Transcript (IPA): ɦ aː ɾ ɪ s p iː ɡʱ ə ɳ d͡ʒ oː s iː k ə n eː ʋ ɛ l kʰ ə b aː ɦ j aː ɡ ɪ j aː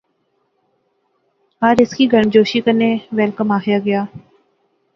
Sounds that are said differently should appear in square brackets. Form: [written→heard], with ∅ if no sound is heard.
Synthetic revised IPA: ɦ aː ɾ ɪ s [p→k] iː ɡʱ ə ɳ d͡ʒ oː [s→ʃ] iː k ə n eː ʋ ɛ l [kʰ→k] ə [b→m] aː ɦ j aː ɡ ɪ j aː